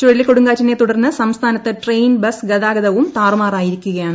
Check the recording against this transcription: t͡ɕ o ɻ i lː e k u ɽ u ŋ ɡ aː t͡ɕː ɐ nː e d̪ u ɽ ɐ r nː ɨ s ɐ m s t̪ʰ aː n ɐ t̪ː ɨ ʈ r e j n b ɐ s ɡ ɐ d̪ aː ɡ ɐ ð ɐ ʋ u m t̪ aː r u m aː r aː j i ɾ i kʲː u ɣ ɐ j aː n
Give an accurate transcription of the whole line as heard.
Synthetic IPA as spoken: t͡ɕ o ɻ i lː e k o ɽ u ŋ ɡ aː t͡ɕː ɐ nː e t̪ u ɽ ɐ r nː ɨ s ɐ m s t̪ʰ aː n ɐ t̪ː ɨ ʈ r e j n b ɐ s ɡ ɐ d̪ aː ɡ ɐ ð ɐ ʋ u m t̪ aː r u m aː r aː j i ɾ i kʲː u ɣ ɐ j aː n